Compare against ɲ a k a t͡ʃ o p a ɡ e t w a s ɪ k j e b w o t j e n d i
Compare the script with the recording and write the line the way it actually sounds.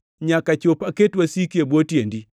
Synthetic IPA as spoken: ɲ a k a t͡ʃ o p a k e t w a s i k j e b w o t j e n d i